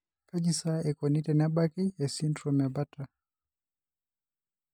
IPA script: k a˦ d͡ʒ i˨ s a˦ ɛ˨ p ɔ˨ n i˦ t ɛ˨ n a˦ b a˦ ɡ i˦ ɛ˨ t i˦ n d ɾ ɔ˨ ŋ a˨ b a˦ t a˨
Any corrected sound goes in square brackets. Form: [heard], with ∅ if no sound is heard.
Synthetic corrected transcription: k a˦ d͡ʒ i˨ s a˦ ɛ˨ [k] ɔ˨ n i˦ t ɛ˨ n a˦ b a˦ [k] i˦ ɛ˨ [s] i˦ n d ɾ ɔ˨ [m] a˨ b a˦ t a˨